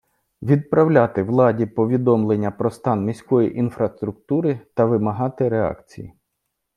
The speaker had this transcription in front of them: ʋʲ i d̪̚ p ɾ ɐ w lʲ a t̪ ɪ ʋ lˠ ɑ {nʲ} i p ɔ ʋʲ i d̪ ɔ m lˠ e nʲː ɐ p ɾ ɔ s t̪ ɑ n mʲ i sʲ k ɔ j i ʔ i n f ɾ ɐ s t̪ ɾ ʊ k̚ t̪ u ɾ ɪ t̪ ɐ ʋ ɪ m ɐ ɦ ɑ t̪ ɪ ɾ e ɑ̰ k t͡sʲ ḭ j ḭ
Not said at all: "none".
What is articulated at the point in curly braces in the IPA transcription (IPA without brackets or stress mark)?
dʲ